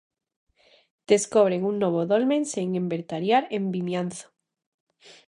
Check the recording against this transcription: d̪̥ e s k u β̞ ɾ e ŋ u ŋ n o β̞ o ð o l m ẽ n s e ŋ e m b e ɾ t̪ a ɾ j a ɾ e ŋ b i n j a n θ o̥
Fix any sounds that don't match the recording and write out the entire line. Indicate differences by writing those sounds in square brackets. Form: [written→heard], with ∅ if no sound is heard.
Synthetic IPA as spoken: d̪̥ e s k [u→o] β̞ ɾ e ŋ u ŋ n o β̞ o ð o l m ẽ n s e ŋ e m b e ɾ t̪ a ɾ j a ɾ e [ŋ→m] b i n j a n θ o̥